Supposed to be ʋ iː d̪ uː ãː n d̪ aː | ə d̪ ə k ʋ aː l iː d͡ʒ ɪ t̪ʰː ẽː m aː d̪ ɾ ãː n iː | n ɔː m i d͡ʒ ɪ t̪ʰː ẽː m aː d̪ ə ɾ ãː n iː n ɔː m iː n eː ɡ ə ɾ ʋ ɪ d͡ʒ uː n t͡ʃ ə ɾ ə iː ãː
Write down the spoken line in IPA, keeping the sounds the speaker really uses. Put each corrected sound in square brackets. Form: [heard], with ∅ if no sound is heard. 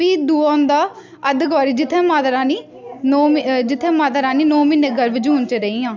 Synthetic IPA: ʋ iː d̪ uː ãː n d̪ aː | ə d̪ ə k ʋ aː [ɾ] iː d͡ʒ ɪ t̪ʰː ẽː m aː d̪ ɾ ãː n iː | n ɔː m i d͡ʒ ɪ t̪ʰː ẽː m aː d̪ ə ɾ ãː n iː n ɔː m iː n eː ɡ ə ɾ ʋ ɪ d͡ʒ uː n t͡ʃ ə ɾ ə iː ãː